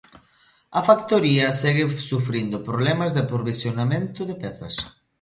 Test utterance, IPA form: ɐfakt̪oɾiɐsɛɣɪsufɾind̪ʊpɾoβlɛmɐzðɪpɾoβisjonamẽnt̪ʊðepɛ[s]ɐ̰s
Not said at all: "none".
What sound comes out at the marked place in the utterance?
θ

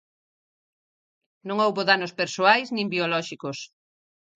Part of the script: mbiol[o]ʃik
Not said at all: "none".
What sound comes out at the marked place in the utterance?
ɔ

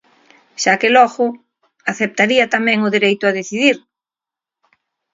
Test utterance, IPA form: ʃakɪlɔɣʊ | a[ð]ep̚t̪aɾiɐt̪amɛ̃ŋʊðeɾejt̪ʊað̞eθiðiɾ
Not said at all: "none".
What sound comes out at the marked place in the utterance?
θ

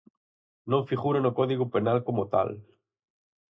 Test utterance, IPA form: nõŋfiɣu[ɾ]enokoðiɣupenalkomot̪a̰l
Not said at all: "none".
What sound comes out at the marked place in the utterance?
ɾ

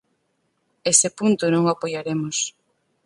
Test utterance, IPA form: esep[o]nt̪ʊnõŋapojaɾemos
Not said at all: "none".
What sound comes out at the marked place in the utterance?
u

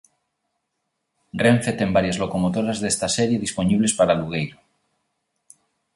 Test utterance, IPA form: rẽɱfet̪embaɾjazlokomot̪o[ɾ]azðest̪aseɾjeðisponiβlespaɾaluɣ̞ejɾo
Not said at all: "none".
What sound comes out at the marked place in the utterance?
ɾ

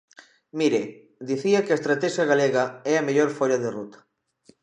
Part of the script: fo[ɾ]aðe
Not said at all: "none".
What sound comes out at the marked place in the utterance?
ʎ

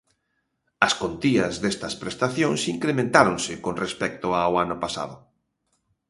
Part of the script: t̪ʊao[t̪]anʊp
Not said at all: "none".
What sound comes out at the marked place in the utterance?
none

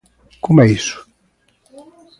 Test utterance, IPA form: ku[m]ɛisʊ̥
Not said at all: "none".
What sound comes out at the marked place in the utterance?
m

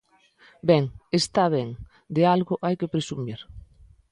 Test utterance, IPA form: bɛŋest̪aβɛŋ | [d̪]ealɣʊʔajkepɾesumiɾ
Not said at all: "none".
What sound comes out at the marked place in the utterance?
d̪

